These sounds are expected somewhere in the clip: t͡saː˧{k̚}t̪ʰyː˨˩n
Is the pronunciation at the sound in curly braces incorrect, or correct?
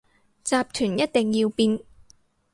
incorrect: p̚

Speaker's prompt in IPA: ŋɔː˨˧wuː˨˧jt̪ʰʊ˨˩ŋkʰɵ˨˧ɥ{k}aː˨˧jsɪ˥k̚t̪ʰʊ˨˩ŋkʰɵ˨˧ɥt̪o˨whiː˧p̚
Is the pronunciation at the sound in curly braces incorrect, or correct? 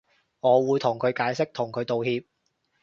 correct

